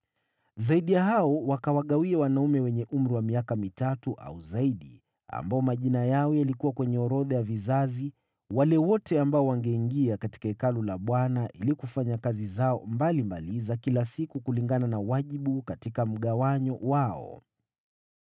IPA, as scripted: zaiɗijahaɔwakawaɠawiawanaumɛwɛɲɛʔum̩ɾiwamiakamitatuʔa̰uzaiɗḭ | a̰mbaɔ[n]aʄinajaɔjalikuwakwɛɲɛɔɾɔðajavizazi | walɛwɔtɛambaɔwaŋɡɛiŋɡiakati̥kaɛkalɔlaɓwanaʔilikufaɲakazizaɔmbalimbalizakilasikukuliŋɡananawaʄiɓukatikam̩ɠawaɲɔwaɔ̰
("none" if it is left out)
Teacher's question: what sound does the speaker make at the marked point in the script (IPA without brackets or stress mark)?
m